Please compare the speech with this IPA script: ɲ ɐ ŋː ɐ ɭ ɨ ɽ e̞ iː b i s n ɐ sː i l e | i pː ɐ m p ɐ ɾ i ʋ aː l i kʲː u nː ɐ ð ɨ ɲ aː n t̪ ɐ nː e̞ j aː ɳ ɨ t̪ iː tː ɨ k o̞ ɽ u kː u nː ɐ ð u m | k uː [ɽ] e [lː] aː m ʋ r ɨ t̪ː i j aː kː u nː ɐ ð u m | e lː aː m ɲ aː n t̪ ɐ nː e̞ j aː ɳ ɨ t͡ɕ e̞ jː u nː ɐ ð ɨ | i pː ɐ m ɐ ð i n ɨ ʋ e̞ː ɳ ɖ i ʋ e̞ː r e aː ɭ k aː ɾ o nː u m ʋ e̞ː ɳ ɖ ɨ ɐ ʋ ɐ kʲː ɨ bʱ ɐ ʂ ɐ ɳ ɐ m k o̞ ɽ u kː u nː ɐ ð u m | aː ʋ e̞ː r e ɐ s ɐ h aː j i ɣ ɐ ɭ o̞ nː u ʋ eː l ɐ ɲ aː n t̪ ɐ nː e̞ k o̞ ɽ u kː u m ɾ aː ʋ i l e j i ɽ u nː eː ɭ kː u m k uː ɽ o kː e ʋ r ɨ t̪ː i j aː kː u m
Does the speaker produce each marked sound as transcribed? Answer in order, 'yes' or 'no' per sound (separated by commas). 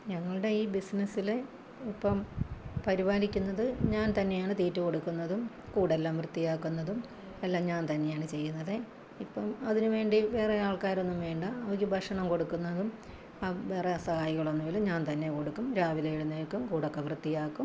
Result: yes, yes